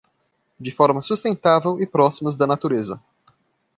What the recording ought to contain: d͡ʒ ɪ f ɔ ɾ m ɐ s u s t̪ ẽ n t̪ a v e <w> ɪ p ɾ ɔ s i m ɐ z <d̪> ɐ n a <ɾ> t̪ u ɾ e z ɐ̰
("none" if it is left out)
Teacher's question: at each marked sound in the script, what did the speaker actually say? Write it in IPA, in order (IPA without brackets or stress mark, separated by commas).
w, d̪, none